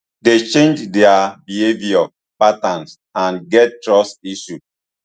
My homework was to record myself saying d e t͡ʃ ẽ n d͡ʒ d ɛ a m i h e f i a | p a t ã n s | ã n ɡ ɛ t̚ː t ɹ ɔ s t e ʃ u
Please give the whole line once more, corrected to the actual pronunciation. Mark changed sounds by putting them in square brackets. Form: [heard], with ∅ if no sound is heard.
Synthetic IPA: d e t͡ʃ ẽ n d͡ʒ d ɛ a [b] i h e [v] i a | p a t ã n s | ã n ɡ ɛ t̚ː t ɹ ɔ s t [i] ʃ u

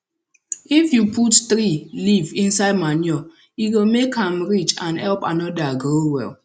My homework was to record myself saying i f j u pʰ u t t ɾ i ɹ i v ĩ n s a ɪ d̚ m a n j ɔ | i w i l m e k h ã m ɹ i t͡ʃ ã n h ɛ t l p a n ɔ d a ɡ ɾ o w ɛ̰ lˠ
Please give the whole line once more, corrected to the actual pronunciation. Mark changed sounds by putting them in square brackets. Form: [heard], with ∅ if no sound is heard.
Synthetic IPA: i f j u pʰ u t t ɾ i [l] i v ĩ n s a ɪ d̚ m a n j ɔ | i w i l m e k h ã m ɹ i t͡ʃ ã n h ɛ [∅] l p a n ɔ d a ɡ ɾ o w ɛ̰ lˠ

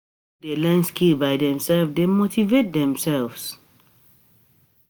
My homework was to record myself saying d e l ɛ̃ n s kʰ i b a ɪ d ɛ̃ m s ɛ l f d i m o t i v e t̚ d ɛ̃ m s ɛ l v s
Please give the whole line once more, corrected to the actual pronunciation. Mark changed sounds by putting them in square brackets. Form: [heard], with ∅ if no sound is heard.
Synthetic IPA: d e l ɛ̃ n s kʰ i b a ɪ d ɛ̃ m s ɛ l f d [e] m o t i v e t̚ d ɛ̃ m s ɛ l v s

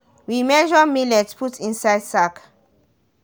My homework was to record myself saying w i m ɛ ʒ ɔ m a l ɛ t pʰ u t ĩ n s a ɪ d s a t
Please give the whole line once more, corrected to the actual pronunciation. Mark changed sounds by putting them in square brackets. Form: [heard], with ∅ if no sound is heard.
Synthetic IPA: w i m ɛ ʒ ɔ m [i] l ɛ t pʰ u t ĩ n s a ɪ d s a [k]

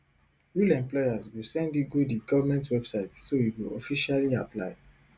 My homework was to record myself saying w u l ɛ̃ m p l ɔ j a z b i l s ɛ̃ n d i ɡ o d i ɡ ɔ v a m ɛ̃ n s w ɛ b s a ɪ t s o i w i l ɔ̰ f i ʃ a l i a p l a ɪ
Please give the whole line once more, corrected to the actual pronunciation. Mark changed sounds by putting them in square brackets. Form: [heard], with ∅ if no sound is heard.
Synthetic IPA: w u l ɛ̃ m p l ɔ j a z [w] i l s ɛ̃ n d i ɡ o d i ɡ ɔ v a m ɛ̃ n [t] w ɛ b s a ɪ t s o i w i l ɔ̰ f i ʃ a l i a p l a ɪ

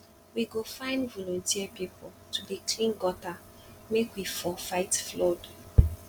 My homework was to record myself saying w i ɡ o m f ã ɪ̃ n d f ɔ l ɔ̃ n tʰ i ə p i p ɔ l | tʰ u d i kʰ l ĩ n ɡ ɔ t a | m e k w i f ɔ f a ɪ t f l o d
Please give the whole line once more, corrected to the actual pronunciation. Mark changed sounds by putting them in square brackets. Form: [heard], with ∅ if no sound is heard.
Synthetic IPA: w i ɡ o [∅] f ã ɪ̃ n d [v] ɔ l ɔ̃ n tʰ i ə p i p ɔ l | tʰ u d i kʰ l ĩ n ɡ ɔ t a | m e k w i f ɔ f a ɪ t f l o d

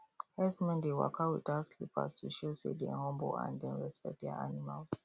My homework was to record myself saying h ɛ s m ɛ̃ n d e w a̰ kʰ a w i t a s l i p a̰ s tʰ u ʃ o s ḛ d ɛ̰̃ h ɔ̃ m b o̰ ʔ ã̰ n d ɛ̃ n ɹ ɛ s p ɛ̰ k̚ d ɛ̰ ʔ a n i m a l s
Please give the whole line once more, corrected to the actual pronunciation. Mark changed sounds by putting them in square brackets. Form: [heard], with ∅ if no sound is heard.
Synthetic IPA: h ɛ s m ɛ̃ n d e w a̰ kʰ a w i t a s l i p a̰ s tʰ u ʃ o s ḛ d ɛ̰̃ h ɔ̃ m b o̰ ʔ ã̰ n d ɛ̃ n ɹ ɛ s p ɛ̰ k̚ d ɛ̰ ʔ a n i m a l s

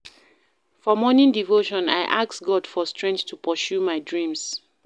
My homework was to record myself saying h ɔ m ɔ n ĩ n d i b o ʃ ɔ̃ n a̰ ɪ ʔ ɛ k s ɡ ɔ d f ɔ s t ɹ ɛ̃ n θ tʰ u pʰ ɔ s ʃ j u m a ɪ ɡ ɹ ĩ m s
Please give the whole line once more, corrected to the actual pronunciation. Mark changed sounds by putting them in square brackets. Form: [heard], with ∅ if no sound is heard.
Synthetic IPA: [f] ɔ m ɔ n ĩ n d i [v] o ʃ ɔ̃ n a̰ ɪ ʔ [a] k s ɡ ɔ d f ɔ s t ɹ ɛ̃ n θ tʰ u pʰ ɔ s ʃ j u m a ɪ [d] ɹ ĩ m s

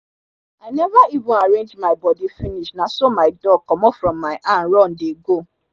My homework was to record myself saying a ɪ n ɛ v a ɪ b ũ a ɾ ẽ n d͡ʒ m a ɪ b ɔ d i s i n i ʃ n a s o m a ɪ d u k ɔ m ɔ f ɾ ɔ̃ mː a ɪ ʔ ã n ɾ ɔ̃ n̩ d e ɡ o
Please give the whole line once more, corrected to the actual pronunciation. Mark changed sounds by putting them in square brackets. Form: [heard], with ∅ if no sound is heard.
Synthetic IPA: a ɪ n ɛ v a [i] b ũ a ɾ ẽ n d͡ʒ m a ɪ b ɔ d i [f] i n i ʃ n a s o m a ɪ d [ɔ] k ɔ m ɔ f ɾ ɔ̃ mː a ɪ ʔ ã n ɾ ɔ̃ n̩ d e ɡ o

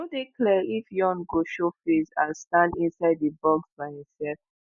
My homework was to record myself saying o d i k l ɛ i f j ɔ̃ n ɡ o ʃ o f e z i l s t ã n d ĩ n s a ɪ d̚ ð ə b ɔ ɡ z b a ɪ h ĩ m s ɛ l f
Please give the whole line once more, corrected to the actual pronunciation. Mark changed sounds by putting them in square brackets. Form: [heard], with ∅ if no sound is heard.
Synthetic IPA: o d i k l ɛ i f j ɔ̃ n ɡ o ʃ o f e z [a] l s t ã n d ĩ n s a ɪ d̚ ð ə b ɔ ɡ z b a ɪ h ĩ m s ɛ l f

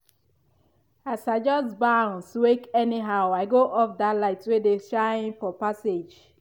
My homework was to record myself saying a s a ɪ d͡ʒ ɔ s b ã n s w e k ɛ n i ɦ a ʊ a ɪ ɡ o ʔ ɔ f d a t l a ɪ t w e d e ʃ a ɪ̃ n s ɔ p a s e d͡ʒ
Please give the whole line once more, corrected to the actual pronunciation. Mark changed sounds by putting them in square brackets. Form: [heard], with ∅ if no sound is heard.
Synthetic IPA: a s a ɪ d͡ʒ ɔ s b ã n s w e k ɛ n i ɦ a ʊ a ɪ ɡ o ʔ ɔ f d a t l a ɪ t w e d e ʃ a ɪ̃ n [f] ɔ p a s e d͡ʒ

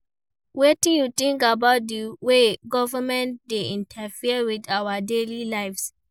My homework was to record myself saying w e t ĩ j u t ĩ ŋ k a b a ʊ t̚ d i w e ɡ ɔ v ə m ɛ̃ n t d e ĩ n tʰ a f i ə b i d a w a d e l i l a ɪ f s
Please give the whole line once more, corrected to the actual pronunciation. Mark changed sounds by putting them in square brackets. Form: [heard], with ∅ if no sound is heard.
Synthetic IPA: w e t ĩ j u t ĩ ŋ k a b a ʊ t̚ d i w e ɡ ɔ v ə m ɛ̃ n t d e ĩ n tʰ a f i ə [w] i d a w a d e l i l a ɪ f s

